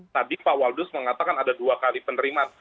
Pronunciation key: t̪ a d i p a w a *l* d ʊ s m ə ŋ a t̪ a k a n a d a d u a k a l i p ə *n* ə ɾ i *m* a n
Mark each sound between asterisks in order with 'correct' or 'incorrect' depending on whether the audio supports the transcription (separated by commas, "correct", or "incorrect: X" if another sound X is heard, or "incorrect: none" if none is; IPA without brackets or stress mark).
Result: correct, correct, correct